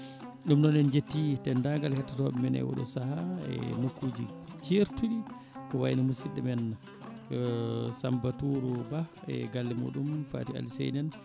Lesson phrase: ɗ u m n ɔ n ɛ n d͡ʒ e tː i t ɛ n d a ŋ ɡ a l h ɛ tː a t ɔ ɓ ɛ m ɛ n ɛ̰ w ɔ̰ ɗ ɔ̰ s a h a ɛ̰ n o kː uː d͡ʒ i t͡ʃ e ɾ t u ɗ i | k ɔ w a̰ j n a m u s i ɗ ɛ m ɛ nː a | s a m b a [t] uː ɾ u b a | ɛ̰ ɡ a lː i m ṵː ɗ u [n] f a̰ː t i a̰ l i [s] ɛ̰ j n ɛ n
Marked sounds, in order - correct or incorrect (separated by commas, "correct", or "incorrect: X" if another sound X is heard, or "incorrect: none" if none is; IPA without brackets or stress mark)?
correct, incorrect: m, correct